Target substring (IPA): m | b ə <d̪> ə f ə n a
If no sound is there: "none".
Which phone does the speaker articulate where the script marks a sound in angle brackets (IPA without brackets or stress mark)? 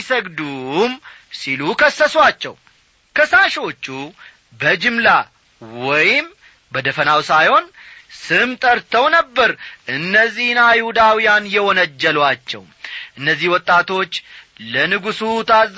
d̪